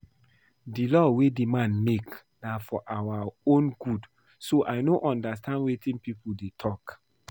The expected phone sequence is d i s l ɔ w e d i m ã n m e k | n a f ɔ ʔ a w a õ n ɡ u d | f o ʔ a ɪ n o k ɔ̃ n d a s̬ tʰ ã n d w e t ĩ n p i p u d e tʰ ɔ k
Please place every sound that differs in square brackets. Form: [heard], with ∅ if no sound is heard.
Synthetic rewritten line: d i [∅] l ɔ w e d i m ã n m e k | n a f ɔ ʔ a w a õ n ɡ u d | [s] o ʔ a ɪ n o [ʔ] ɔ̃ n d a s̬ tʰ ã n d w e t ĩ n p i p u d e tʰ ɔ k

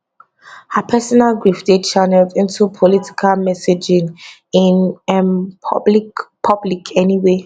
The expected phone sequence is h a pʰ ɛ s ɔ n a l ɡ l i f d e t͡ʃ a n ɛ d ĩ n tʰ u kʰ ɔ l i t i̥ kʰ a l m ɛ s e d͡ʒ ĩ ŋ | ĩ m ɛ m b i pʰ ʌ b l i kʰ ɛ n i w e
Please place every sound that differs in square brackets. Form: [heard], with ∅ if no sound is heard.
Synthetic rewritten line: h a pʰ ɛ s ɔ n a l ɡ [ɹ] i f d e t͡ʃ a n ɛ d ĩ n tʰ u [pʰ] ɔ l i t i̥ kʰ a l m ɛ s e d͡ʒ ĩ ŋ | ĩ [n] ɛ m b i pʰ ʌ b l i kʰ ɛ n i w e

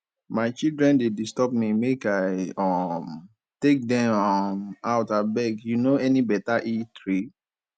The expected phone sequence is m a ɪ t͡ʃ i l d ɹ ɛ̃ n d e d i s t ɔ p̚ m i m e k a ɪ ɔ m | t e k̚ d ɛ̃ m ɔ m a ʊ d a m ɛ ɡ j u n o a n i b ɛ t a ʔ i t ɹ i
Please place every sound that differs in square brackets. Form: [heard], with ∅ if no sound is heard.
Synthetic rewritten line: m a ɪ t͡ʃ i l d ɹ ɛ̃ n d e d i s t ɔ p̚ m i m e k a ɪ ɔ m | t e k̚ d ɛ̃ m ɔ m a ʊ [t] a [b] ɛ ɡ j u n o [ɛ] n i b ɛ t a ʔ i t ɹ i

